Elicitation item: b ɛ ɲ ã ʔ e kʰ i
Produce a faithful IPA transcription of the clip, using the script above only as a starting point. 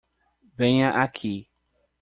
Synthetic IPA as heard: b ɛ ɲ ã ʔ a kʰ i